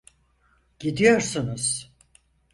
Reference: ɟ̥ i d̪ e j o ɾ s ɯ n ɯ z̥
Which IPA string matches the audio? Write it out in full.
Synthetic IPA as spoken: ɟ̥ i d̪ i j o ɾ s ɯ n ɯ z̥